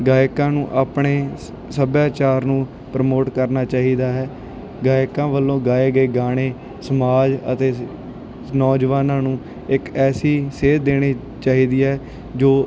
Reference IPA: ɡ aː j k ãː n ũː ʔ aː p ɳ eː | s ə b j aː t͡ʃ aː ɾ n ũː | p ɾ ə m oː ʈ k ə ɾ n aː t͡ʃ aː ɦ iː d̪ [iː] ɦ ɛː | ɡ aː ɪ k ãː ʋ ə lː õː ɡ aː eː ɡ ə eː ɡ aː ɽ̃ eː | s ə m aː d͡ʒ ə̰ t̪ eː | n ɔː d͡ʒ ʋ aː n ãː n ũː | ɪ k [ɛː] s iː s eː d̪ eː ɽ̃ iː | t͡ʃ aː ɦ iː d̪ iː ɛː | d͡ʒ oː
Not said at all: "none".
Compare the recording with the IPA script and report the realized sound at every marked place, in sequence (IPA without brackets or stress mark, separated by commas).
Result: aː, ɛː